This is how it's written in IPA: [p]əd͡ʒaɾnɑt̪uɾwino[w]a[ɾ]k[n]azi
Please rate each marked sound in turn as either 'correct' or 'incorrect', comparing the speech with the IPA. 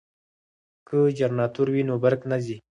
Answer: incorrect, incorrect, correct, correct

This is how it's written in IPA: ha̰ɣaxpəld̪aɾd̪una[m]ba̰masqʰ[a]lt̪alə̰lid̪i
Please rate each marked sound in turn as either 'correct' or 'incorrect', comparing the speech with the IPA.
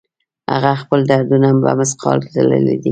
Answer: correct, incorrect

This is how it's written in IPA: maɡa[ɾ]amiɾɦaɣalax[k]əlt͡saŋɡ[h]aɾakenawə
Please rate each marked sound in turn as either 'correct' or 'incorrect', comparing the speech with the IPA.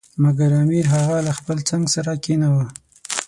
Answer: correct, incorrect, incorrect

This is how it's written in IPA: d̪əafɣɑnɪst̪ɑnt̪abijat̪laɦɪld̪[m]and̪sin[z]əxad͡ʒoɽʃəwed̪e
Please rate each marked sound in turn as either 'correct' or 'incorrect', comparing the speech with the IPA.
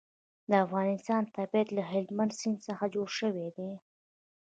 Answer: correct, incorrect

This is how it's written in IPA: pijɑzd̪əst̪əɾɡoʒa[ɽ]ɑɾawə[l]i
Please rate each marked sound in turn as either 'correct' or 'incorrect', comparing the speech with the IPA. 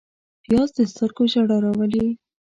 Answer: correct, correct

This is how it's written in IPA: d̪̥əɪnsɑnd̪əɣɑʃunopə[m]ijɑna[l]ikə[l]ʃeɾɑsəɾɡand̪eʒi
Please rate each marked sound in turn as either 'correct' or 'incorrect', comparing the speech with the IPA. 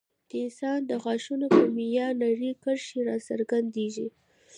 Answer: correct, incorrect, incorrect

